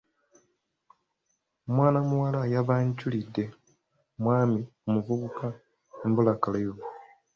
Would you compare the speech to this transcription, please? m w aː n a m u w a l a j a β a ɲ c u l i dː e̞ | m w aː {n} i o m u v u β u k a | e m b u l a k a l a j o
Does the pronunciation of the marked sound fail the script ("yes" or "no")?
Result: yes